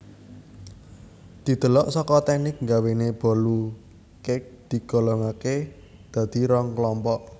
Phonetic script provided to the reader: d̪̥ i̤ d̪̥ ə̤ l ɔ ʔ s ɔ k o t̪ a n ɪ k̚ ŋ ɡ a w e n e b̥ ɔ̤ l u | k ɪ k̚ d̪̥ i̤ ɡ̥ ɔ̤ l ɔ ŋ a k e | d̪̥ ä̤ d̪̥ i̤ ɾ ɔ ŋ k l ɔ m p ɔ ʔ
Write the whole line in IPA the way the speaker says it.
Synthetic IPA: d̪̥ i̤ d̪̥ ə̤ l ɔ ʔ s ɔ k ɔ t̪ ɛ n ɪ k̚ ŋ ɡ a w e n e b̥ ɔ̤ l u | k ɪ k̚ d̪̥ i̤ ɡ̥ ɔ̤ l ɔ ŋ a k e | d̪̥ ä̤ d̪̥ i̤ ɾ ɔ ŋ k l ɔ m p ɔ ʔ